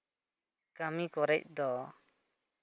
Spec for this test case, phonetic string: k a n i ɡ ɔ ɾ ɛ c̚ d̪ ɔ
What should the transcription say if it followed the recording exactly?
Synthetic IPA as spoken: k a m i k ɔ ɾ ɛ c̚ d̪ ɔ